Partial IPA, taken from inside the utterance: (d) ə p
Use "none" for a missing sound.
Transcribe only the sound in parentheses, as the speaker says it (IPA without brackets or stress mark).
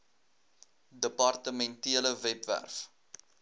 d